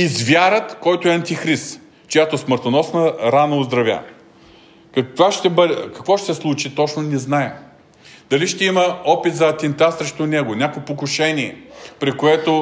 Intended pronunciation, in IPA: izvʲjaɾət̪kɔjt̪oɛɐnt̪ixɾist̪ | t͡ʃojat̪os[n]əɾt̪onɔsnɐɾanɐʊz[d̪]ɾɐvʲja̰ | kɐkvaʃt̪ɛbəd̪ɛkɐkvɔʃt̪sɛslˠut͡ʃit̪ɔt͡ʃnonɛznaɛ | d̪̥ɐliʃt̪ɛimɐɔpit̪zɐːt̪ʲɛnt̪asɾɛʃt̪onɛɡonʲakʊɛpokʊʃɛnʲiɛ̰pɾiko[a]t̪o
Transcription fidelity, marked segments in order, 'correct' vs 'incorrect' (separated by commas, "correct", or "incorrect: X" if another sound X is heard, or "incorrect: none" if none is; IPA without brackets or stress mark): incorrect: m, correct, incorrect: ɛ